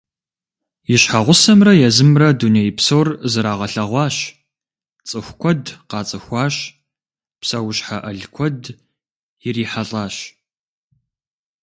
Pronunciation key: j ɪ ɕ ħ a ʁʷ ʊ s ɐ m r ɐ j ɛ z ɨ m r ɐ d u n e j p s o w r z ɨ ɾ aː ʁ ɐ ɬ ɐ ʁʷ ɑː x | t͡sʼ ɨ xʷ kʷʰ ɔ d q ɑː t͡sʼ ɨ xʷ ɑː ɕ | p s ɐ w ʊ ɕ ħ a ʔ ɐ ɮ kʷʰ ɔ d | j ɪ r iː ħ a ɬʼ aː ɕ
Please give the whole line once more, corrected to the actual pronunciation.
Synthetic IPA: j ɪ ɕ ħ a ʁʷ ʊ s ɐ m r ɐ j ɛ z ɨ m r ɐ d u n e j p s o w r z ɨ ɾ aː ʁ ɐ ɬ ɐ ʁʷ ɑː ɕ | t͡sʼ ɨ xʷ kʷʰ ɔ d q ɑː t͡sʼ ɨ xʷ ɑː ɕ | p s ɐ w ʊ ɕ ħ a ʔ ɐ ɮ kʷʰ ɔ d | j ɪ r iː ħ a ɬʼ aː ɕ